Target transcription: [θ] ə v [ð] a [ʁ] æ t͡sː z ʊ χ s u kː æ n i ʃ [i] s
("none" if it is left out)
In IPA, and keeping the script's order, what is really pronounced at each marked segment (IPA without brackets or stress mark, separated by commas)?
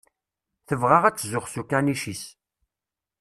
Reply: θ, ʁ, ʁ, i